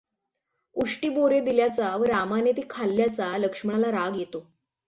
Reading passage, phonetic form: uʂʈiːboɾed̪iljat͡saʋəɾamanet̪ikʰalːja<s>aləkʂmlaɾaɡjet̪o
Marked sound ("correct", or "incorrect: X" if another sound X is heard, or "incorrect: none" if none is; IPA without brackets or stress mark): incorrect: t͡s